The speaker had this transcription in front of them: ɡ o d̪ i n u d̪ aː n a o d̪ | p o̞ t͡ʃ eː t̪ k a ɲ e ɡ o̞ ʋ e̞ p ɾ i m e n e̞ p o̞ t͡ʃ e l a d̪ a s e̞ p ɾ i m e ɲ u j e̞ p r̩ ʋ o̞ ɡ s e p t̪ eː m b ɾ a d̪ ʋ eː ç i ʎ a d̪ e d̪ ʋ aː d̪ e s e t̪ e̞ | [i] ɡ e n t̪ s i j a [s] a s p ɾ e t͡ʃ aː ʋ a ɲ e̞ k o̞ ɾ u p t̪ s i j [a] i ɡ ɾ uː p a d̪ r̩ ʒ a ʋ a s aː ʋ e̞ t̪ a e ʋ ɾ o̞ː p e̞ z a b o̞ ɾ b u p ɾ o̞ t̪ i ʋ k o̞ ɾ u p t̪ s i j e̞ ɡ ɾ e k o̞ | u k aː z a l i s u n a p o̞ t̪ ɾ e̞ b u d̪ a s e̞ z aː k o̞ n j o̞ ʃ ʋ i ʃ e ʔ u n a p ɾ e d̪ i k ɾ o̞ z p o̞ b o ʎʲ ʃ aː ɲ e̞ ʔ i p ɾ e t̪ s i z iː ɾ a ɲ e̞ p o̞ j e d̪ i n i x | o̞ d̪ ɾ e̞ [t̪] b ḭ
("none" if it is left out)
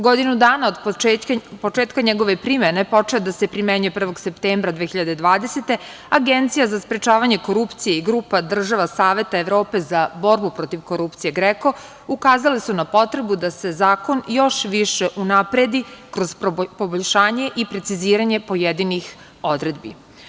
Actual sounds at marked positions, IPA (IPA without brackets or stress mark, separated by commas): a, z, e, d̪